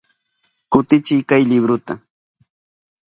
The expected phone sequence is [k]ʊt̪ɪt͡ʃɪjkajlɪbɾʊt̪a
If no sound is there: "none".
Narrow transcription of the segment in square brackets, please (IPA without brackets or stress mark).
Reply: k